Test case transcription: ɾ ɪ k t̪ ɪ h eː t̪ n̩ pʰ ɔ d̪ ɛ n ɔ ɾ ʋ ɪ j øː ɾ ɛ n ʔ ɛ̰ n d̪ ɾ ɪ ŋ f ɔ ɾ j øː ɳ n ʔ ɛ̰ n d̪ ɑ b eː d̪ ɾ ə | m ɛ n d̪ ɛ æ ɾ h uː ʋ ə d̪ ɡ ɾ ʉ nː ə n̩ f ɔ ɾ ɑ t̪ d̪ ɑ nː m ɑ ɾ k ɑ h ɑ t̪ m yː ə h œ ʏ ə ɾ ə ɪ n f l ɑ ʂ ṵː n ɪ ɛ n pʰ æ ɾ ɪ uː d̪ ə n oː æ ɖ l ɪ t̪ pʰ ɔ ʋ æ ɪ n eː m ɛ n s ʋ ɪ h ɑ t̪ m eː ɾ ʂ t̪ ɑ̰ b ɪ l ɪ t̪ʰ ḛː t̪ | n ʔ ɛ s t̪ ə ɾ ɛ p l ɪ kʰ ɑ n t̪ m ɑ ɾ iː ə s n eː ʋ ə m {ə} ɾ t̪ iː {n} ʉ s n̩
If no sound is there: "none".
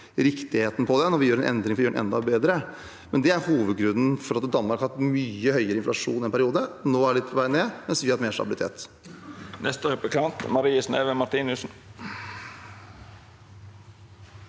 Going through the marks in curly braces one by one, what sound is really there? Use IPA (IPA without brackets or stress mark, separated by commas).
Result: ɑ, n